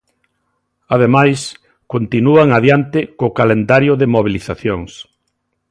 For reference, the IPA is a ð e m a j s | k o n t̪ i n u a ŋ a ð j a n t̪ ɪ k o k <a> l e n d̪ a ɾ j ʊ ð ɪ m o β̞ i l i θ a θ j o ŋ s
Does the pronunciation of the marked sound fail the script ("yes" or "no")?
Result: no